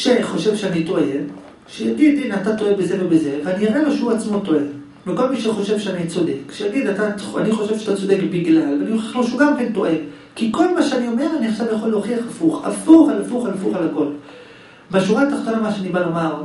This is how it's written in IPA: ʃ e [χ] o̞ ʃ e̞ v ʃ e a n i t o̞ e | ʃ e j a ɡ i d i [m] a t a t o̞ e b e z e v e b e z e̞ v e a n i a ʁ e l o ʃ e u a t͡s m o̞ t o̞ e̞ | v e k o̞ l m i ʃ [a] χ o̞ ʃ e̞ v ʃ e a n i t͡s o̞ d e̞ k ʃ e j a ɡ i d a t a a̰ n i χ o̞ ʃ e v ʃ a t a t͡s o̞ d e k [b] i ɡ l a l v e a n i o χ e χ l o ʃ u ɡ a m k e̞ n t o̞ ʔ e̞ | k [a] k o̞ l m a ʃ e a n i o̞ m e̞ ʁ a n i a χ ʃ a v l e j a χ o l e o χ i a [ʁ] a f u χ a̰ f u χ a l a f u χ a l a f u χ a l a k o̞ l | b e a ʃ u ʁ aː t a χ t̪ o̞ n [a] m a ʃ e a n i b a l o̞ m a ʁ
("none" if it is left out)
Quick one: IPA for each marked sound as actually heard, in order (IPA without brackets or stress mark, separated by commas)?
χ, n, e, b, i, χ, a